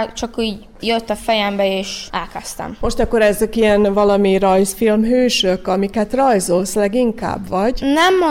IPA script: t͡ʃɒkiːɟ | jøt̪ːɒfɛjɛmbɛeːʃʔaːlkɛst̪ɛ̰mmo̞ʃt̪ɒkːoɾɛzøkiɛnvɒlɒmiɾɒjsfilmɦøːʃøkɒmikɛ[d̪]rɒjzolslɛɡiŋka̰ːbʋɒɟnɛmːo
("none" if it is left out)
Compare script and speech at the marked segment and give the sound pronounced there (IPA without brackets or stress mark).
t̪